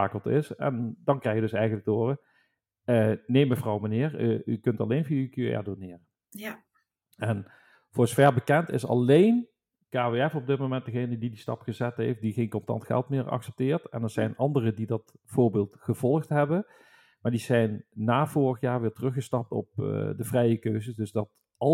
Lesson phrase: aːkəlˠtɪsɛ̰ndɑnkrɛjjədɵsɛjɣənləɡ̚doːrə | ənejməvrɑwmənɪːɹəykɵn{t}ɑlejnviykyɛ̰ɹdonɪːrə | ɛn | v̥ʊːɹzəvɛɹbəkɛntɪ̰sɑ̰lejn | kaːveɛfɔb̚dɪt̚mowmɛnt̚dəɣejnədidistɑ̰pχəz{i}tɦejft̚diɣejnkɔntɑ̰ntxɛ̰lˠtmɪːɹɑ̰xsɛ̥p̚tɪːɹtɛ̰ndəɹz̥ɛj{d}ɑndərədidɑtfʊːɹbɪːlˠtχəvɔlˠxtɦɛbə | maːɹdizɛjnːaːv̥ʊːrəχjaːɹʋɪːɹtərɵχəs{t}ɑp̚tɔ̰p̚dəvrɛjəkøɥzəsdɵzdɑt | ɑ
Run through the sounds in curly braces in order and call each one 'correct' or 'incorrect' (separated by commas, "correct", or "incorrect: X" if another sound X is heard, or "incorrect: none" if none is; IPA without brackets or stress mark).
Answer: correct, incorrect: ɛ, incorrect: n, correct